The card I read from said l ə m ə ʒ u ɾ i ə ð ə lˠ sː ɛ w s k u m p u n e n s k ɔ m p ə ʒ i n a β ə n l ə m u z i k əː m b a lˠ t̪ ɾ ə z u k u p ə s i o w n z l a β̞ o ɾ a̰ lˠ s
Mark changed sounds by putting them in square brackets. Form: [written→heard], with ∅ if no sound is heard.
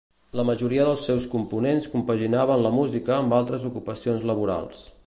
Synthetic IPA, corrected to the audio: l ə m ə ʒ u ɾ i ə ð ə lˠ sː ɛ w s k u m p u n e n s k [ɔ→u] m p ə ʒ i n a β ə n l ə m u z i k əː m b a lˠ t̪ ɾ ə z u k u p ə s i o [w→∅] n z l [a→ə] β̞ [o→u] ɾ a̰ lˠ s

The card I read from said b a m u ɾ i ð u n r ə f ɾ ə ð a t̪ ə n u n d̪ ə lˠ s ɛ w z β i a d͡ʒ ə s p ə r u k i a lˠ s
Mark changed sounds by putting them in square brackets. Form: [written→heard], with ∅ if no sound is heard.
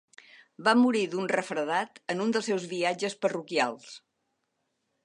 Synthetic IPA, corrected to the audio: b a m u ɾ i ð u n r ə f ɾ ə ð a t̪ ə n u n d̪ ə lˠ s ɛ w z β i a d͡ʒ ə s p ə r u k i a lˠ s

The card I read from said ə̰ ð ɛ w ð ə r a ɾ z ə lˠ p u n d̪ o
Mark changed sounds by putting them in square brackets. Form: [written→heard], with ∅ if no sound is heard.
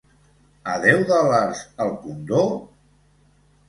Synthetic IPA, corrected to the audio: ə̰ ð ɛ w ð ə [r→l] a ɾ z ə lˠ [p→k] u n d̪ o

